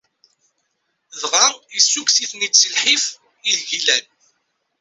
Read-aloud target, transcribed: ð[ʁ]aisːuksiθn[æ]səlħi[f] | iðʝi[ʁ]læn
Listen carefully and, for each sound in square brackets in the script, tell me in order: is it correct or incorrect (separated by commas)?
correct, incorrect, correct, incorrect